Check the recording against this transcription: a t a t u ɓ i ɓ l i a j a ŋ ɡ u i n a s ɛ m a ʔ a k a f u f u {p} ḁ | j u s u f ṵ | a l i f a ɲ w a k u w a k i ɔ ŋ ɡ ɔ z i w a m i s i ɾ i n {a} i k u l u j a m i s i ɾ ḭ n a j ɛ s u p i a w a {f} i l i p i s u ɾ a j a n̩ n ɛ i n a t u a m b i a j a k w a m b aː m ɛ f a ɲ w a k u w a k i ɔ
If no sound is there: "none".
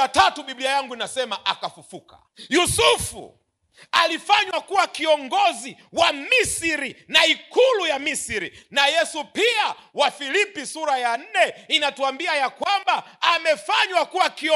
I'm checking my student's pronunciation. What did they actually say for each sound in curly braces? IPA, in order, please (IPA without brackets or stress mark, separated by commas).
k, a, f